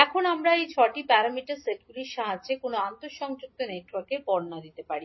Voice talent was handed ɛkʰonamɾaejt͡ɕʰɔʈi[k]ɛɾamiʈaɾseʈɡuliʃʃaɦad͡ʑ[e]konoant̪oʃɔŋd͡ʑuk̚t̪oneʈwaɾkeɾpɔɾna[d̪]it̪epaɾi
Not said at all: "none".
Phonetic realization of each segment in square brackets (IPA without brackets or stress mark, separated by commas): p, e, d̪